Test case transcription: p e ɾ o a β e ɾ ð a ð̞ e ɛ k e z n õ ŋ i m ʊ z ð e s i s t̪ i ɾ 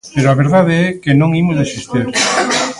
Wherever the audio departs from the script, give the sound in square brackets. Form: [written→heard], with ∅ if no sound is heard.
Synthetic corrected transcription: p e ɾ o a β e ɾ ð a ð̞ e ɛ k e [z→∅] n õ ŋ i m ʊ z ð e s i s t̪ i ɾ